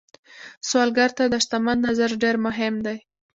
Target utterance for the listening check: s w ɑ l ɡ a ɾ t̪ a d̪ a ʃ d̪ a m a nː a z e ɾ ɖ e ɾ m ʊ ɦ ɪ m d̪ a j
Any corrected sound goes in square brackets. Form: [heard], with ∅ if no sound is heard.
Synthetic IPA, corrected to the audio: s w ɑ l ɡ a ɾ t̪ a d̪ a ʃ [t̪] a m a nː a z [a] ɾ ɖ e ɾ m ʊ ɦ ɪ m d̪ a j